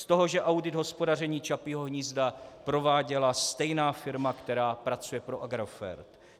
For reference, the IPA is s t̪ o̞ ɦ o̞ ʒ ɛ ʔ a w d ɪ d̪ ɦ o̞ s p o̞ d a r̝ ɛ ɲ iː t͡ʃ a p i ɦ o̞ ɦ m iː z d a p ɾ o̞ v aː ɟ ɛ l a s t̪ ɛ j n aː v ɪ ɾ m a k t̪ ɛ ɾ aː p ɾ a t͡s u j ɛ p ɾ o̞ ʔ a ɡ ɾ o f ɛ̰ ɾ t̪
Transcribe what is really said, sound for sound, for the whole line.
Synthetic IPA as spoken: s t̪ o̞ ɦ o̞ ʒ ɛ ʔ a w d ɪ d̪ ɦ o̞ s p o̞ d a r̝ ɛ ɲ iː t͡ʃ a p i ɦ o̞ ɦ ɲ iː z d a p ɾ o̞ v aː ɟ ɛ l a s t̪ ɛ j n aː f ɪ ɾ m a k t̪ ɛ ɾ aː p ɾ a t͡s u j ɛ p ɾ o̞ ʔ a ɡ ɾ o f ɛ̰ ɾ t̪